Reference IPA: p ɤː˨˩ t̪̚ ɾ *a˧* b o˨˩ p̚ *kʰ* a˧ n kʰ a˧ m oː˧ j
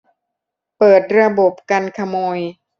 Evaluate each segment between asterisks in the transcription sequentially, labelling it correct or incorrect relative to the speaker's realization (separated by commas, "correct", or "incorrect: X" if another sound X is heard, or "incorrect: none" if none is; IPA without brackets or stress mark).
correct, incorrect: k